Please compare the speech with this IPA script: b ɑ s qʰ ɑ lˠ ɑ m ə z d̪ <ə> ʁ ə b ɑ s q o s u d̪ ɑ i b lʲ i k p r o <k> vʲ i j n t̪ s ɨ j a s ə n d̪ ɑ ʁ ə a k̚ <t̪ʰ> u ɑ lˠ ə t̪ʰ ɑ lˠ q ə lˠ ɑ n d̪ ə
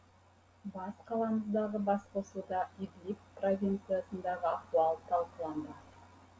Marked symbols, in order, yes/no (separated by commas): no, no, no